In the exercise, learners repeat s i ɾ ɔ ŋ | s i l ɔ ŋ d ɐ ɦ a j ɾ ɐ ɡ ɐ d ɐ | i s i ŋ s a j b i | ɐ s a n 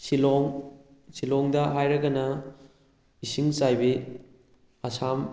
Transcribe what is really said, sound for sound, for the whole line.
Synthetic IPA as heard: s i l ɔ ŋ | s i l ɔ ŋ d ɐ ɦ a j ɾ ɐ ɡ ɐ n ɐ | i s i ŋ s a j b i | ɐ s a m